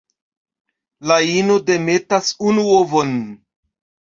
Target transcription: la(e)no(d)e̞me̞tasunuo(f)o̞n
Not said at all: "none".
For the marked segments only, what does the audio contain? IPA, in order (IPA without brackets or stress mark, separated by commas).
i, d, v